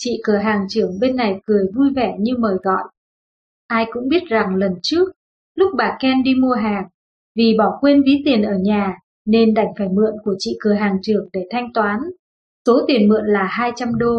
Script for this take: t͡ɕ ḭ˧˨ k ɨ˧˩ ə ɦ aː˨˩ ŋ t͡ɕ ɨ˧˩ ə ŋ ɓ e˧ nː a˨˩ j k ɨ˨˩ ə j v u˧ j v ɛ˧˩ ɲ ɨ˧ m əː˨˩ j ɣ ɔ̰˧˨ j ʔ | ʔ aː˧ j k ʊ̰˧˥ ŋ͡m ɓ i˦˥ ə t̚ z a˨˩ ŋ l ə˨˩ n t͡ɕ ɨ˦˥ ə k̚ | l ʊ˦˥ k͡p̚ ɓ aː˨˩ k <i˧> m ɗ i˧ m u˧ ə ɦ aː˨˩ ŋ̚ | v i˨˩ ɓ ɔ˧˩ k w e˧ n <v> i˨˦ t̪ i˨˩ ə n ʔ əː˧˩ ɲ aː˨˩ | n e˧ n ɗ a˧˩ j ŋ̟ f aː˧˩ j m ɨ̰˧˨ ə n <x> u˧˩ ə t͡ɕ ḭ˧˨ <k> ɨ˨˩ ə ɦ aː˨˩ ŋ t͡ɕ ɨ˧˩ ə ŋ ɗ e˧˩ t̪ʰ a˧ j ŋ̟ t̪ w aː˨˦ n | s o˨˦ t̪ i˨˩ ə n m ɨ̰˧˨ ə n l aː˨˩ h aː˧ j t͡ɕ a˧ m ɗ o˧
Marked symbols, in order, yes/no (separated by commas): no, yes, no, yes